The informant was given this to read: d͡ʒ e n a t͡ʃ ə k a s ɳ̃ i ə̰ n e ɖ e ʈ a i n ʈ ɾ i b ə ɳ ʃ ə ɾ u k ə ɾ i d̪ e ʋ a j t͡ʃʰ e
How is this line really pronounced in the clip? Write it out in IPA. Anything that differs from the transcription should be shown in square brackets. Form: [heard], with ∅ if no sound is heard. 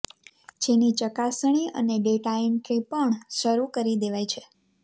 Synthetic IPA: d͡ʒ e n [i] t͡ʃ ə k a s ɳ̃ i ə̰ n e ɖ e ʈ a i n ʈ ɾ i [p] ə ɳ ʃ ə ɾ u k ə ɾ i d̪ e ʋ a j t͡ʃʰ e